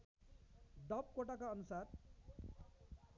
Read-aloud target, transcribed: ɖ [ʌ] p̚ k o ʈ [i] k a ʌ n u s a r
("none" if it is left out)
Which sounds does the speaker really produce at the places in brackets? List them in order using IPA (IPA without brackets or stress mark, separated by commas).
ʌ, a